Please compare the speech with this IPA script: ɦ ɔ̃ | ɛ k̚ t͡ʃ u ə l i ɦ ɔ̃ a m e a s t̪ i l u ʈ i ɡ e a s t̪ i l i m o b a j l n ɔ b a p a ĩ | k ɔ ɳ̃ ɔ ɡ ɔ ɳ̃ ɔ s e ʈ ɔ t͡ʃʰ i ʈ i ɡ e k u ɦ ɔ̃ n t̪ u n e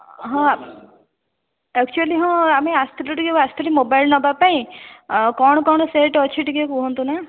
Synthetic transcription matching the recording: ɦ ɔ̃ | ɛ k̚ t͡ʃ u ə l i ɦ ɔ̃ a m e a s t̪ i l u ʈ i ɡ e a s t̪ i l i m o b a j l n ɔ b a p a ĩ | k ɔ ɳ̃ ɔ k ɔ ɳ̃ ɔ s e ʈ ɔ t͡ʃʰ i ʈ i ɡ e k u ɦ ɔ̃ n t̪ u n a